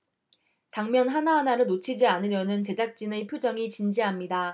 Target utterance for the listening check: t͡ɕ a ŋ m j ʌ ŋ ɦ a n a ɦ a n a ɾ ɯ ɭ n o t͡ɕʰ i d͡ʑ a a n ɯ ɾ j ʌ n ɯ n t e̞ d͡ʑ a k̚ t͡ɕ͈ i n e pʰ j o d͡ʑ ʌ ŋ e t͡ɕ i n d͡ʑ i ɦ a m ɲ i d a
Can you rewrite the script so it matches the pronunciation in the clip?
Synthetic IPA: t͡ɕ a ŋ m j ʌ n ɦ a n a ɦ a n a ɾ ɯ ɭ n o t͡ɕʰ i d͡ʑ i a n ɯ ɾ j ʌ n ɯ n t͡ɕ e̞ d͡ʑ a k̚ t͡ɕ͈ i n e pʰ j o d͡ʑ ʌ ŋ i t͡ɕ i n d͡ʑ i ɦ a m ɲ i d a